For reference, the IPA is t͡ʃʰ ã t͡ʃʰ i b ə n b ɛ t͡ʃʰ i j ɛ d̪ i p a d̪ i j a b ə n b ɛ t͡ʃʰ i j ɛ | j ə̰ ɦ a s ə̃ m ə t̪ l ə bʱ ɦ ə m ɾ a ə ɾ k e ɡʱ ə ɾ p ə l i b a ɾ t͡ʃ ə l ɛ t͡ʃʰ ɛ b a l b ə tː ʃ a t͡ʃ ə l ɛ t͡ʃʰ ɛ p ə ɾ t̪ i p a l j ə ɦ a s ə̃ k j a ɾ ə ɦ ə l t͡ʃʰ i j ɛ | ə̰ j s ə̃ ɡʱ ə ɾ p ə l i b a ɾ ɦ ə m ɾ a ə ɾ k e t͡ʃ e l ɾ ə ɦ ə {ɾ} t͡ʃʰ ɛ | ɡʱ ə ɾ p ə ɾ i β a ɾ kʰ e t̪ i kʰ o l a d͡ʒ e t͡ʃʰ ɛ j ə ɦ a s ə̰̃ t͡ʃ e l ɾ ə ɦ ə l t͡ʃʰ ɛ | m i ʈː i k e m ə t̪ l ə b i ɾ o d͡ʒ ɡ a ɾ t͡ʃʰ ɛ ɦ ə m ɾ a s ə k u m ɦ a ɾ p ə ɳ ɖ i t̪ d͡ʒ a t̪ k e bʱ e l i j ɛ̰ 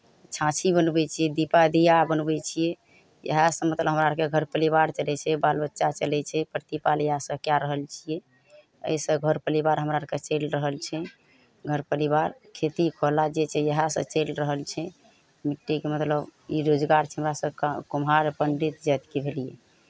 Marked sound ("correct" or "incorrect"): incorrect